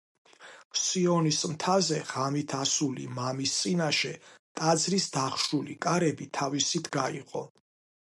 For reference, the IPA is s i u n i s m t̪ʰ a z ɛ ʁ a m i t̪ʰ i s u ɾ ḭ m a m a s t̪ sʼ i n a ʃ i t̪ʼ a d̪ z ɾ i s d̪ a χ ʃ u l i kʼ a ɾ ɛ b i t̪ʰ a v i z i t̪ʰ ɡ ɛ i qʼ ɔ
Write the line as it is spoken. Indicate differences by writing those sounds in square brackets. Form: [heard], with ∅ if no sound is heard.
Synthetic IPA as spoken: s i [ɔ] n i s m t̪ʰ a z ɛ ʁ a m i t̪ʰ [a] s u [l] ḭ m a m [i] s t̪ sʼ i n a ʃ [ɛ] t̪ʼ a d̪ z ɾ i s d̪ a χ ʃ u l i kʼ a ɾ ɛ b i t̪ʰ a v i [s] i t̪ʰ ɡ [a] i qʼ ɔ